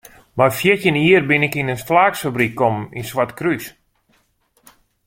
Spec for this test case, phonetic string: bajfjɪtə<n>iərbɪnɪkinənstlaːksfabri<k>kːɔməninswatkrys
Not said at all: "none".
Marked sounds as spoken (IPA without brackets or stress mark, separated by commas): n, k